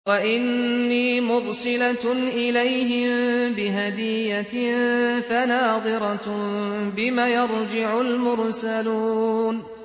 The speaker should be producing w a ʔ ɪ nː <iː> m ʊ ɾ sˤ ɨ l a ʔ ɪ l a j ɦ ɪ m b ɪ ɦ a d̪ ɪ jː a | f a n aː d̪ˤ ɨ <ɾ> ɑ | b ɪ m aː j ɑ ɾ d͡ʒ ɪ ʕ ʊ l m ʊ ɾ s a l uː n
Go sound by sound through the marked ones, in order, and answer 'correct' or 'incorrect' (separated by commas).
correct, correct